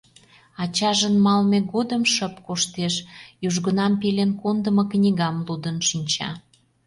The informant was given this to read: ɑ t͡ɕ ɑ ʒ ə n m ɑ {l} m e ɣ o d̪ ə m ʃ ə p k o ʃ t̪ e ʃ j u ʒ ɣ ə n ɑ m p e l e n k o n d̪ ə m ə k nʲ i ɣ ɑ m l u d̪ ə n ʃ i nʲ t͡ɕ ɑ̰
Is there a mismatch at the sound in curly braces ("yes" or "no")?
no